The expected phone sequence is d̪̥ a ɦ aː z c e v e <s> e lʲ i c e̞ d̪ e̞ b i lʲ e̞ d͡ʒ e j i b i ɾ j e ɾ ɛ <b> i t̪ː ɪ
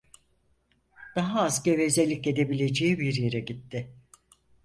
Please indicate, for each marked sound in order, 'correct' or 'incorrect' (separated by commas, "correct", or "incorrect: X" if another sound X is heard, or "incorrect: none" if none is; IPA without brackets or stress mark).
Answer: incorrect: z, incorrect: ɟ